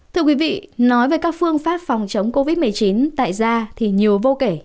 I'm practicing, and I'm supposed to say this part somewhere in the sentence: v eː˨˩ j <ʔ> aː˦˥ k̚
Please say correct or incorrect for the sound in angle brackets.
incorrect